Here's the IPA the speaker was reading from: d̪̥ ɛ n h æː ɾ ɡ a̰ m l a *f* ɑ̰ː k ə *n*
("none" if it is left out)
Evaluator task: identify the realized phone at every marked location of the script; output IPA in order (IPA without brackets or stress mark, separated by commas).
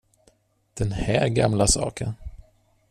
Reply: s, n